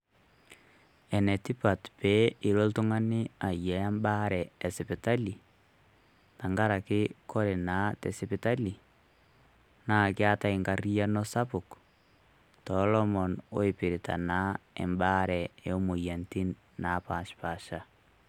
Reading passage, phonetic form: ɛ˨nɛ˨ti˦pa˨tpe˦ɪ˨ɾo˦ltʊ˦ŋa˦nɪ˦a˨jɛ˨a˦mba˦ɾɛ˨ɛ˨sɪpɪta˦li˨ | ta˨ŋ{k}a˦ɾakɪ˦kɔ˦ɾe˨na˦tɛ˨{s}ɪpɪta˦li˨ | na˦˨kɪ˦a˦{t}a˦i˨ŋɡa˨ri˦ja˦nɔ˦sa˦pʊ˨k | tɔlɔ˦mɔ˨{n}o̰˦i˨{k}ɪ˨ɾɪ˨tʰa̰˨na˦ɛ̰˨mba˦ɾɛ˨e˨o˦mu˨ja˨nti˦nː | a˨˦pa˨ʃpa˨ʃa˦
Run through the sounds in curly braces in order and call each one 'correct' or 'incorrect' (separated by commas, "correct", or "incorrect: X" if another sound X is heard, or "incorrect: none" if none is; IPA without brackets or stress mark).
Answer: incorrect: ɡ, correct, correct, correct, incorrect: p